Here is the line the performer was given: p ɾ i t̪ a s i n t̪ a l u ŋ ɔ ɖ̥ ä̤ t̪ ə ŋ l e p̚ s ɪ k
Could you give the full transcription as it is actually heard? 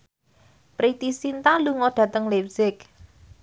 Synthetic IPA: p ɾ i t̪ i s i n t̪ a l u ŋ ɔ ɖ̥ ä̤ t̪ ə ŋ l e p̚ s ɪ k